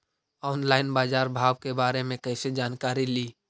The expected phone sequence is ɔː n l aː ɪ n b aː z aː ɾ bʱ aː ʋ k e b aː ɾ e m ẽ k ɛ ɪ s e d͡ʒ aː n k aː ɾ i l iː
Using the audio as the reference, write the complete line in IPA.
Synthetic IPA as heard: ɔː n l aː ɪ n b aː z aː ɾ bʱ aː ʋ k e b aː ɾ e m ẽ k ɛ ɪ s e d͡ʒ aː n k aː ɾ i l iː